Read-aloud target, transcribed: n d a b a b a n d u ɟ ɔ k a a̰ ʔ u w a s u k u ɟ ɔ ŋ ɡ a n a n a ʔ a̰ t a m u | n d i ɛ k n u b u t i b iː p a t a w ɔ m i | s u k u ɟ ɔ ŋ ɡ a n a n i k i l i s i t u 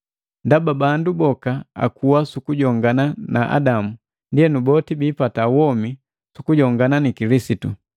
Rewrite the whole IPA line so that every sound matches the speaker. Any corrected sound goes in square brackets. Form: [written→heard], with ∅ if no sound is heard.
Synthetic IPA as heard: n d a b a b a n d u [ɟ→b] ɔ k a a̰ [ʔ→k] u w a s u k u ɟ ɔ ŋ ɡ a n a n a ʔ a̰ [t→d] a m u | n d i ɛ [k→∅] n u b [u→ɔ] t i b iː p a t a w ɔ m i | s u k u ɟ ɔ ŋ ɡ a n a n i k i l i s i t u

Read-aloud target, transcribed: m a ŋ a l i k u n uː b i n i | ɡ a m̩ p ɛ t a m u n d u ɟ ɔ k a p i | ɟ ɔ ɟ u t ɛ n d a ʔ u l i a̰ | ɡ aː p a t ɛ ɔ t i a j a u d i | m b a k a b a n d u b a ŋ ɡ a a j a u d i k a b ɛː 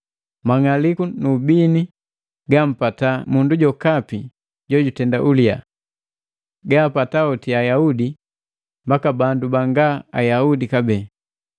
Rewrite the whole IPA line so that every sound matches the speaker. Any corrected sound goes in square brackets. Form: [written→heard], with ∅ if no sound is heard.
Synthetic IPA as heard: m a ŋ a l i k u n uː b i n i | ɡ a m̩ p [ɛ→a] t a m u n d u ɟ ɔ k a p i | ɟ ɔ ɟ u t ɛ n d a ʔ u l i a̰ | ɡ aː p a t [ɛ→a] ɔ t i a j a u d i | m b a k a b a n d u b a ŋ ɡ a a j a u d i k a b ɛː

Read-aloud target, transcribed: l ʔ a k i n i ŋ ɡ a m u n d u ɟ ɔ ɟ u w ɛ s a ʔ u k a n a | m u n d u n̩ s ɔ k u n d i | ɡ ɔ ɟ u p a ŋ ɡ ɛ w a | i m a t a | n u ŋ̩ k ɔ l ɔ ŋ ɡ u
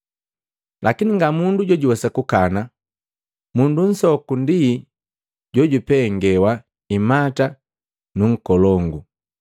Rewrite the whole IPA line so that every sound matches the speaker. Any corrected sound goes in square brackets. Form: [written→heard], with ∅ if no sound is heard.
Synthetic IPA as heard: l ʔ a k i n i ŋ ɡ a m u n d u ɟ ɔ ɟ u w ɛ s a [ʔ→k] u k a n a | m u n d u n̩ s ɔ k u n d i | [ɡ→ɟ] ɔ ɟ u p [a→ɛ] ŋ ɡ ɛ w a | i m a t a | n u ŋ̩ k ɔ l ɔ ŋ ɡ u

